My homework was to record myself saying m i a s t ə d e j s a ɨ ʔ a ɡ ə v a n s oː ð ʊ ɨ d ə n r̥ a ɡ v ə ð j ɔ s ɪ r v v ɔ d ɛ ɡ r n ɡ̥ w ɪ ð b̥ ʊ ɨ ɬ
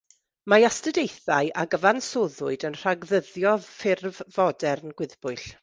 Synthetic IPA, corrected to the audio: m a a s t ə d e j θ a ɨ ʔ a ɡ ə v a n s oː ð ʊ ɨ d ə n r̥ a ɡ ð ə ð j ɔ f ɪ r v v ɔ d ɛ r n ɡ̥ w ɪ ð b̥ ʊ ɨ ɬ